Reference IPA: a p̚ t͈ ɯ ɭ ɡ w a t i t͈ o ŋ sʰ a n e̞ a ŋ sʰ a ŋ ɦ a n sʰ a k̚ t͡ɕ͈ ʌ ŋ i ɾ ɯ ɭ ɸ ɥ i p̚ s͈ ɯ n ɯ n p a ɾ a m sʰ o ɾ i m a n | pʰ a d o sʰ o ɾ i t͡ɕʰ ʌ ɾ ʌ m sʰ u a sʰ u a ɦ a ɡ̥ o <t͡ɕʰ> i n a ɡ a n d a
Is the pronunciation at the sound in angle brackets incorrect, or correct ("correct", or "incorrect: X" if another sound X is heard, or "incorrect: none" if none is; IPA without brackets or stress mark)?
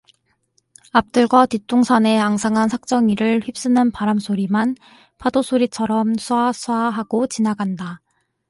incorrect: t͡ɕ